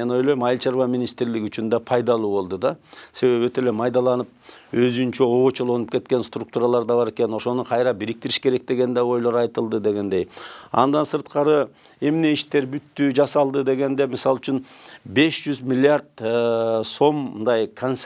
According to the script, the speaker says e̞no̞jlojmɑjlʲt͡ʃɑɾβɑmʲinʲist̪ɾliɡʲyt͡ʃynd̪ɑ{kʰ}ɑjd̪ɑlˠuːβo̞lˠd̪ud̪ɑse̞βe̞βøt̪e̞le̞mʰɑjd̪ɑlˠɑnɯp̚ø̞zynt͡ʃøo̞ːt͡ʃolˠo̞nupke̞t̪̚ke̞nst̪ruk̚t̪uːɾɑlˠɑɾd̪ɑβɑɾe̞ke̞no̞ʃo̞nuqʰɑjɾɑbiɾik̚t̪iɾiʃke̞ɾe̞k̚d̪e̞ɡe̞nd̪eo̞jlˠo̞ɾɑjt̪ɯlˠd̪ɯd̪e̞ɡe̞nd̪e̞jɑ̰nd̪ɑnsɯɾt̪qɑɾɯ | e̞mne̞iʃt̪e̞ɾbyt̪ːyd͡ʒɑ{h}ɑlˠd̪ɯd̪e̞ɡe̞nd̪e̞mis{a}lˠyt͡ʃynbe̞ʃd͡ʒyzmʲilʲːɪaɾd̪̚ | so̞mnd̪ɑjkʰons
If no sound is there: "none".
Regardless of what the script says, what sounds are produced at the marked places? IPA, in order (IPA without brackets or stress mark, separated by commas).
pʰ, s, ɑ